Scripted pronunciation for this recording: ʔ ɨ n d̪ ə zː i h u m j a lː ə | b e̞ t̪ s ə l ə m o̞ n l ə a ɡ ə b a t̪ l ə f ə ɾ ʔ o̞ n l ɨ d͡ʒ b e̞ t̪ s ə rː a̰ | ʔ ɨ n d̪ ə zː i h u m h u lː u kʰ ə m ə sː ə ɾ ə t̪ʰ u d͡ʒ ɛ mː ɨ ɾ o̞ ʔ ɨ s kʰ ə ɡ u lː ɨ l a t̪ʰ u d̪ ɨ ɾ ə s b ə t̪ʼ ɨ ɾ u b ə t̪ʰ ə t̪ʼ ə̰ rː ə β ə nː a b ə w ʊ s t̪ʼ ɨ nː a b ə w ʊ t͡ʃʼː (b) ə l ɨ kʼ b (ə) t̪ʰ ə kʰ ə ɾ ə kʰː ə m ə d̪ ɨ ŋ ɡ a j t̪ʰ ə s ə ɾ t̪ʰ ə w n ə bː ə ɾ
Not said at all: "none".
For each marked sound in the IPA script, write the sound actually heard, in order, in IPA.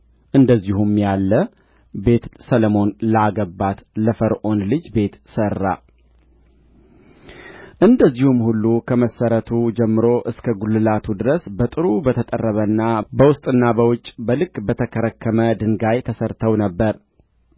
b, ə

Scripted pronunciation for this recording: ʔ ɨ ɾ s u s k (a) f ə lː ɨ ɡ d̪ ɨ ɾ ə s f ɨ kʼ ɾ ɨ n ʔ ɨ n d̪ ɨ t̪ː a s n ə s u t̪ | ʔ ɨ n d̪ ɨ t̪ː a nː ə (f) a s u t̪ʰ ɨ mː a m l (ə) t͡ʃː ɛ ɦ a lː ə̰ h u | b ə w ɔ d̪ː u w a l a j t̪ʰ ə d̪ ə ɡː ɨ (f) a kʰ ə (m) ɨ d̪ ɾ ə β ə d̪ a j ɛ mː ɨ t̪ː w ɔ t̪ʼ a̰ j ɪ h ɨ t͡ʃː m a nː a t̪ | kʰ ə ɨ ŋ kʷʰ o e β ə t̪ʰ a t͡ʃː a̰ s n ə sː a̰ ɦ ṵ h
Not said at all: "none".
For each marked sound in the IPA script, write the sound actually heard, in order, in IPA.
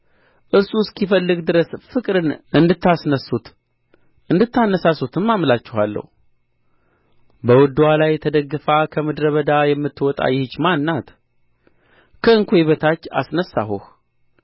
i, s, a, f, m

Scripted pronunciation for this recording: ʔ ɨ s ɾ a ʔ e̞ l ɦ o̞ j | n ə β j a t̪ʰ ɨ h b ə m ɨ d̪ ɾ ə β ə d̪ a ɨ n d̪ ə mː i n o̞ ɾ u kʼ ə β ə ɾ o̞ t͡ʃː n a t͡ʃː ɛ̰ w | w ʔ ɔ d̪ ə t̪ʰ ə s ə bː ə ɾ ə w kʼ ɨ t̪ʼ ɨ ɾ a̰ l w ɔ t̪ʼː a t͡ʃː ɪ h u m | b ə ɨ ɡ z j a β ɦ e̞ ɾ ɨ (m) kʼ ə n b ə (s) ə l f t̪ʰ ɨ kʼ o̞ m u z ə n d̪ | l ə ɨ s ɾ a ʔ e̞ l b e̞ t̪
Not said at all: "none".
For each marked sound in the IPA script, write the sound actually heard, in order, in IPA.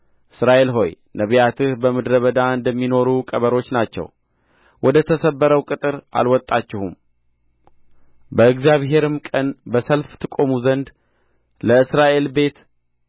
m, s

